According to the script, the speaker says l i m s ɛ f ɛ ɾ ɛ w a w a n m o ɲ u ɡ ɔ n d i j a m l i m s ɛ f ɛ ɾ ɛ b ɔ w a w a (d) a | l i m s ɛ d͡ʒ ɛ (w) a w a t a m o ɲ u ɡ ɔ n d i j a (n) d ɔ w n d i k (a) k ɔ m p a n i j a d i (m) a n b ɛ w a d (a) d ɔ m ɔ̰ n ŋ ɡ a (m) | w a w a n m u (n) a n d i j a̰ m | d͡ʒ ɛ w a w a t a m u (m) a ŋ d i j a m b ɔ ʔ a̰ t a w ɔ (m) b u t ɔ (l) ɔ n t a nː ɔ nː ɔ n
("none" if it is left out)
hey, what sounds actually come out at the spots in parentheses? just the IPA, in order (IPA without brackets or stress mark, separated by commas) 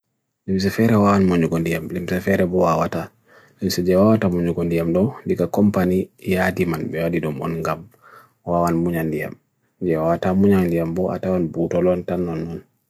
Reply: t, w, m, a, m, i, m, ɲ, ɲ, n, l